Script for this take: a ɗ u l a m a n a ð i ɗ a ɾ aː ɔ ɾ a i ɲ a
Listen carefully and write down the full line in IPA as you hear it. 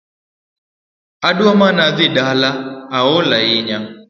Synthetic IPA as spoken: a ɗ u a m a n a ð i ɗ a l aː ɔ l a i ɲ a